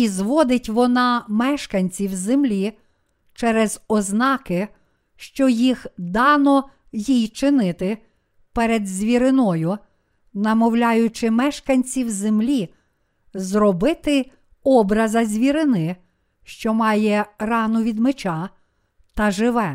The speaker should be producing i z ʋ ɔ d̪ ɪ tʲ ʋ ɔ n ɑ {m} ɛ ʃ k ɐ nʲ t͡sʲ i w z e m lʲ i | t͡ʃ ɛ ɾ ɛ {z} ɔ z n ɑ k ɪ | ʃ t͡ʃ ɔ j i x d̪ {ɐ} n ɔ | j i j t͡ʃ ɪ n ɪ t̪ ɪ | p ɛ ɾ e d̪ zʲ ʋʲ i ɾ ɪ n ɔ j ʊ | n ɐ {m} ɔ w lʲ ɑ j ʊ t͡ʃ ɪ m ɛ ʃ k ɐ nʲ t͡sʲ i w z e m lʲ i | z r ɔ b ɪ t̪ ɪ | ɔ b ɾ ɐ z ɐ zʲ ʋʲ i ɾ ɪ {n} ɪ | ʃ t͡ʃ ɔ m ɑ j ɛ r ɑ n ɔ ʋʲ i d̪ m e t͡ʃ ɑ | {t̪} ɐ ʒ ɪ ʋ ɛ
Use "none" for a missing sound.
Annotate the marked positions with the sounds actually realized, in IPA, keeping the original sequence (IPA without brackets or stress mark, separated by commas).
m, z, ɑ, m, n, t̪